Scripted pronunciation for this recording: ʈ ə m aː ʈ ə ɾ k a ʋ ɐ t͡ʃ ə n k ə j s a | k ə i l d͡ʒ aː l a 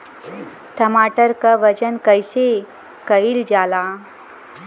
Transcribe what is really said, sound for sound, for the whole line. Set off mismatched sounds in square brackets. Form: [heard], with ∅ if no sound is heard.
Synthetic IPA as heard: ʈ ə m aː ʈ ə ɾ k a ʋ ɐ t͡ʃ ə n k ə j s [e] | k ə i l d͡ʒ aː l a